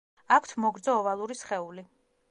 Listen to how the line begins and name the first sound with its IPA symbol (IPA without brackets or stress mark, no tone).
a